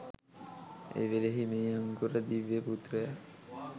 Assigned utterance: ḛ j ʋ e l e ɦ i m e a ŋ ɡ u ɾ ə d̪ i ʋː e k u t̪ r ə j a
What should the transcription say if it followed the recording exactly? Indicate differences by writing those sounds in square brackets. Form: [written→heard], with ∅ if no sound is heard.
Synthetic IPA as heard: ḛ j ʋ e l e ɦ i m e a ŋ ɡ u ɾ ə d̪ i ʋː e [k→p] u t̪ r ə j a